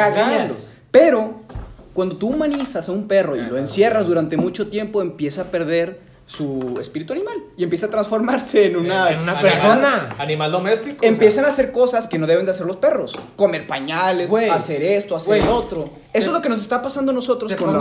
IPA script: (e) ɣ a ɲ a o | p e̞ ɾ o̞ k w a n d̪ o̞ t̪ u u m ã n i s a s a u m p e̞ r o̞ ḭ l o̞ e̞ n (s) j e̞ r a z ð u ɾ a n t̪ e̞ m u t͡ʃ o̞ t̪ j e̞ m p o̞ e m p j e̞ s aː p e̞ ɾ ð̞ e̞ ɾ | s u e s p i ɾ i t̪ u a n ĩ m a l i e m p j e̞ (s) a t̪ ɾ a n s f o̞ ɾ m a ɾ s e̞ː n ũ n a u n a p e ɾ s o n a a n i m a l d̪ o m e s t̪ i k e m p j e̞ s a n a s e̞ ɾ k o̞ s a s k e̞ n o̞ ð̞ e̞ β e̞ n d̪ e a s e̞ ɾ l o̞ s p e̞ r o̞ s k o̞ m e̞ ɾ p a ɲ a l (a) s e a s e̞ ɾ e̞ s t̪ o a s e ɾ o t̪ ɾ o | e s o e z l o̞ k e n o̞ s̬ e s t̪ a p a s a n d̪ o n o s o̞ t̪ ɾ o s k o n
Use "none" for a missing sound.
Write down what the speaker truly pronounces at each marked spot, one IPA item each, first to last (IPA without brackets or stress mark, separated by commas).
a, s, s, e